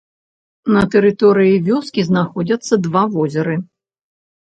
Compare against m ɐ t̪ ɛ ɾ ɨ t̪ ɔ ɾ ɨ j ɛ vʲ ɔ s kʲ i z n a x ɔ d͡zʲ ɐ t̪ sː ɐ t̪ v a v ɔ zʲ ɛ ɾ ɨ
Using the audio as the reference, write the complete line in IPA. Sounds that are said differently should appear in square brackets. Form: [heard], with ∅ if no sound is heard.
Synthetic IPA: [n] ɐ t̪ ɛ ɾ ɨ t̪ ɔ ɾ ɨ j [i] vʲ ɔ s kʲ i z n a x ɔ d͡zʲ ɐ t̪ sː ɐ [d̪] v a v ɔ zʲ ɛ ɾ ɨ